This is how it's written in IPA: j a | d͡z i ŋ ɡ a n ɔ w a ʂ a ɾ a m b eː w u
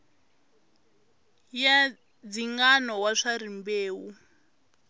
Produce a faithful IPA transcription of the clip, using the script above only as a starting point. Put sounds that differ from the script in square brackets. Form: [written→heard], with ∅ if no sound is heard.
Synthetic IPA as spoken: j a | d͡z i ŋ ɡ a n ɔ w a ʂ a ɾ [a→i] m b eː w u

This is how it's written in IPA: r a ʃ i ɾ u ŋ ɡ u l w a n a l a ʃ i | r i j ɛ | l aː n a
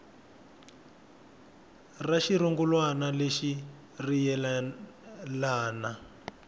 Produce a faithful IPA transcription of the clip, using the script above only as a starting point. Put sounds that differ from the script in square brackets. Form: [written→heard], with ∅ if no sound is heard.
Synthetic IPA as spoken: r a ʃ i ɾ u ŋ ɡ u l w a n a l [a→e] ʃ i | r i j ɛ | l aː n a

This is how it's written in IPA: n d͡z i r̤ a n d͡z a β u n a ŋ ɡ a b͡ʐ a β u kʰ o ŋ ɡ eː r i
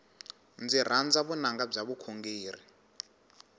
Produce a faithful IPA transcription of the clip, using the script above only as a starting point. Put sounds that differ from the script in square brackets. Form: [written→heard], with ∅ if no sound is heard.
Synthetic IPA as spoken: n d͡z i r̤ a n d͡z a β u n a ŋ ɡ a b͡ʐ a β u kʰ o ŋ ɡ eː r i

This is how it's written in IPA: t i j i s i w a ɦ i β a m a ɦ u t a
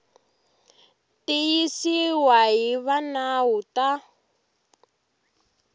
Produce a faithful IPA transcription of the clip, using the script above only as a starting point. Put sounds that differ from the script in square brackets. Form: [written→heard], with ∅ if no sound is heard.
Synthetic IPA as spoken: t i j i s i w a ɦ i β a [m→n] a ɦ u t a

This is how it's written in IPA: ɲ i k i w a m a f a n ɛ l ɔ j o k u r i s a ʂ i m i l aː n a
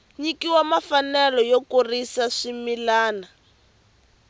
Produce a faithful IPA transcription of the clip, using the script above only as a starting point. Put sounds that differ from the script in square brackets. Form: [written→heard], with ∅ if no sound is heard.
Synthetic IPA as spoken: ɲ i k i w a m a f a n ɛ l ɔ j o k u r i s a ʂ i m i l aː n a

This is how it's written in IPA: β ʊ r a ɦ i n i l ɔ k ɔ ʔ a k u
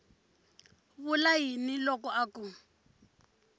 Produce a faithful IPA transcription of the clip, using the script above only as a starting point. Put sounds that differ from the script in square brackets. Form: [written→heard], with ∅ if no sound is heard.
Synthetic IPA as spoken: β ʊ [r→l] a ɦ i n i l ɔ k ɔ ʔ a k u

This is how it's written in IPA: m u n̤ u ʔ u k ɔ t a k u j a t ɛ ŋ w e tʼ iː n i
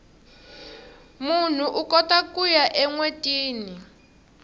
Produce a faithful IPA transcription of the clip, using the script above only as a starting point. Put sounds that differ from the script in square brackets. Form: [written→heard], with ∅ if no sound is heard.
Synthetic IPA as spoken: m u n̤ u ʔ u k ɔ t a k u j a [t→ʔ] ɛ ŋ w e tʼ iː n i

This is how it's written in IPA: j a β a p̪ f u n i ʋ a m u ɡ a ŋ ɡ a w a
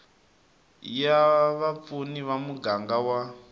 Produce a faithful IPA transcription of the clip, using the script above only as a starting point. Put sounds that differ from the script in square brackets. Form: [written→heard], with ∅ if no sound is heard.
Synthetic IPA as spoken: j a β a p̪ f u n i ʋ a m u ɡ a ŋ ɡ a w a

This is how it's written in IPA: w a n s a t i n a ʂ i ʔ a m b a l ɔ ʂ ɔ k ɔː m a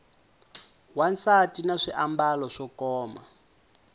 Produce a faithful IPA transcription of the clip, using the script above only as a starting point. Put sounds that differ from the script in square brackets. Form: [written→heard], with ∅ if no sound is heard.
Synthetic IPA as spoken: w a n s a t i n a ʂ i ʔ a m b a l ɔ ʂ ɔ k ɔː m a

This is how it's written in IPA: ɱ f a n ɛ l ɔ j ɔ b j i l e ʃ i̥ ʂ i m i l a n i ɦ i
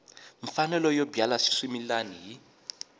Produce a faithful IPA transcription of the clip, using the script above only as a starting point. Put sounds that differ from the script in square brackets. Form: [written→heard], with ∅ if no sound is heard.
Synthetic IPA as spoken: ɱ f a n ɛ l ɔ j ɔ b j [i→a] l [e→a] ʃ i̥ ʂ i m i l a n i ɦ i

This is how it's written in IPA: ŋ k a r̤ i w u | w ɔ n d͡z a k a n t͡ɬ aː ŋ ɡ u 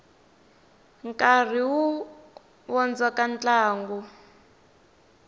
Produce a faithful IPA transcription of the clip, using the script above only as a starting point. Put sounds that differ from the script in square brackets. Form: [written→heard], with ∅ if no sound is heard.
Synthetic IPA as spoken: ŋ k a r̤ i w u | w ɔ n d͡z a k a n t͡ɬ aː ŋ ɡ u

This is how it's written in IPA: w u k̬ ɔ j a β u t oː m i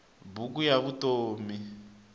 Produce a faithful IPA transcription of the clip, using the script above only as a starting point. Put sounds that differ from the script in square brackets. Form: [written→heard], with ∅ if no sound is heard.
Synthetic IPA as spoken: [w→b] u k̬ [ɔ→u] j a β u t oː m i

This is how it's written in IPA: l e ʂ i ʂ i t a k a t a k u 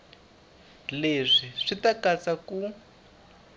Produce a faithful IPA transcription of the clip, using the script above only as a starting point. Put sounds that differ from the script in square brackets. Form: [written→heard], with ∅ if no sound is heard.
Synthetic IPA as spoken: l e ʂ i ʂ i t a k a [t→t͡s] a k u

